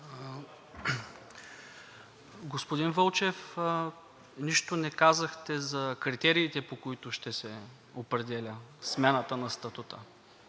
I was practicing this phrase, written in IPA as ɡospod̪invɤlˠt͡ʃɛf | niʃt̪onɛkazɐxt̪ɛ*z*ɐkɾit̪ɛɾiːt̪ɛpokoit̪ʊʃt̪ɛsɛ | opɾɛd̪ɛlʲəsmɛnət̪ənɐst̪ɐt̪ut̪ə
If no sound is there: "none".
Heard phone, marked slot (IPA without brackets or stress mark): z